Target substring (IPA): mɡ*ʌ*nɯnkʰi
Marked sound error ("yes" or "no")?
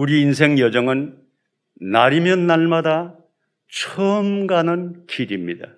yes